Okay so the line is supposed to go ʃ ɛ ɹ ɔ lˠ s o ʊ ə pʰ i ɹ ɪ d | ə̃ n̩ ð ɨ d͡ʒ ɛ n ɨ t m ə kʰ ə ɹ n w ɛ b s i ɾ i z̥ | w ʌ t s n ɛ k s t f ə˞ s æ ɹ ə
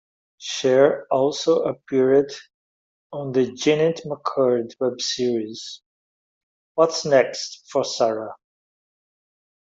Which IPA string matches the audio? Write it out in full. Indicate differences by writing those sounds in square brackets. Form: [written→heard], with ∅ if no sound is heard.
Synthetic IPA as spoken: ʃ ɛ ɹ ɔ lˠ s o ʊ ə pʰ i ɹ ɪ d | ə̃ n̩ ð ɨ d͡ʒ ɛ n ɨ t m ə kʰ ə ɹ [n→d] w ɛ b s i [ɾ→ɹ] i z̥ | w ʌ t s n ɛ k s t f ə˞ s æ ɹ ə